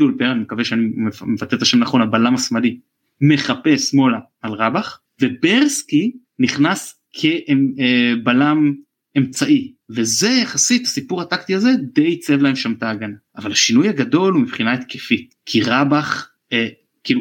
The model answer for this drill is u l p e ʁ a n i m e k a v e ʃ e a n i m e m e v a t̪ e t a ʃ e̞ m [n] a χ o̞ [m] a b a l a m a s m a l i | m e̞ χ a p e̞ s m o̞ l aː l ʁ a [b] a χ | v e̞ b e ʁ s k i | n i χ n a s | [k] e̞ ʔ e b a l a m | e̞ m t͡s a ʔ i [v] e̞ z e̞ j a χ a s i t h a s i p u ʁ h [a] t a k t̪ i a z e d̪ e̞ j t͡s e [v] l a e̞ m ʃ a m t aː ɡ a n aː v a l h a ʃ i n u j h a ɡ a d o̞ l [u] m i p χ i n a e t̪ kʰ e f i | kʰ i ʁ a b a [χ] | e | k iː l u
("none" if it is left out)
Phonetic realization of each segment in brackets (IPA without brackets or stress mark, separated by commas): n, n, b, kʰ, v, a, v, u, χ